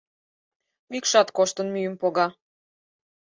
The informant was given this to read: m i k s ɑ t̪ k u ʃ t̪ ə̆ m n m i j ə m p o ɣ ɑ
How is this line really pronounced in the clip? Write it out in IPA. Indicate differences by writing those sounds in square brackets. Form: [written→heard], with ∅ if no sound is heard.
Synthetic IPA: m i k [s→ʃ] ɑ t̪ k [u→o] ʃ t̪ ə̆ [m→∅] n m [i→y] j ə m p o ɣ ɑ